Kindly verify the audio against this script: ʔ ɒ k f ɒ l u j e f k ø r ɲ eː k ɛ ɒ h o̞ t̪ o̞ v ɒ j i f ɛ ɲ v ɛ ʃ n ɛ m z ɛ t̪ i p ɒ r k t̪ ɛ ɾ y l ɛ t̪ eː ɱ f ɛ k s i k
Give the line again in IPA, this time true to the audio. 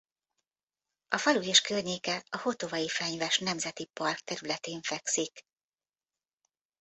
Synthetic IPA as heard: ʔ ɒ f ɒ l u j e ʃ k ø r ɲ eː k ɛ ɒ h o̞ t̪ o̞ v ɒ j i f ɛ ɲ v ɛ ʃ n ɛ m z ɛ t̪ i p ɒ r k t̪ ɛ ɾ y l ɛ t̪ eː ɱ f ɛ k s i k